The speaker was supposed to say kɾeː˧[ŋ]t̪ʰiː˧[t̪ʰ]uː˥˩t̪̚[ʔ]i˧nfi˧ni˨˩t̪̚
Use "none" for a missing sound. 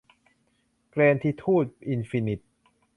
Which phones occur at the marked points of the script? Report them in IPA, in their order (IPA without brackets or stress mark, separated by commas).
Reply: n, t̪ʰ, ʔ